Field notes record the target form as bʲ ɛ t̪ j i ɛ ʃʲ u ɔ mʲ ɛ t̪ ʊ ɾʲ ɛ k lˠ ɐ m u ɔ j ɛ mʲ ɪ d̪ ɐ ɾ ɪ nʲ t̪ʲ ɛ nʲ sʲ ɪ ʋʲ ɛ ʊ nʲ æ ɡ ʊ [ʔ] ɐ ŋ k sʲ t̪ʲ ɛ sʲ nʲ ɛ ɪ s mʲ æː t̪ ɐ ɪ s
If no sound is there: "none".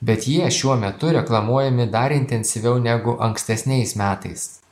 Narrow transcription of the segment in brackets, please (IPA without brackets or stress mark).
ʔ